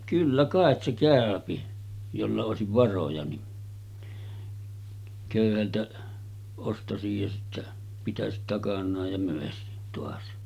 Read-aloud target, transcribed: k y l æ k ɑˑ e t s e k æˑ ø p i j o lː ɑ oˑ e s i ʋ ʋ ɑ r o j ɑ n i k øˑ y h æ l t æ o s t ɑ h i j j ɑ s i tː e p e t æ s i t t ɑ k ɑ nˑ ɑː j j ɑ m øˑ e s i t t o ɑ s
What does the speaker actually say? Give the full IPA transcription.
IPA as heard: k y lː æ k ɑˑ e t s e k æˑ ø p i j o lː ɑ oˑ e s i ʋ ʋ ɑ r o j ɑ n i k øˑ y h æ l t æ o s t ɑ s i j j ɑ s i tː æ p i t æ s i t t ɑ k ɑ nˑ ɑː j j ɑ m øˑ e s i t t o ɑ s